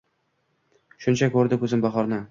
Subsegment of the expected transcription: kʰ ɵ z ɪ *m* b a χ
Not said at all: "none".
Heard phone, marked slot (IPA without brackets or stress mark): m